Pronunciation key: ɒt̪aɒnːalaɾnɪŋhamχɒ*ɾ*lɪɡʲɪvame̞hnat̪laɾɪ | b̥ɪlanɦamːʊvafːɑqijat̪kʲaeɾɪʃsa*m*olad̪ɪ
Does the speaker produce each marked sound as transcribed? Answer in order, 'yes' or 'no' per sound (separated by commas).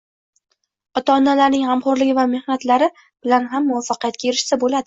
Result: yes, no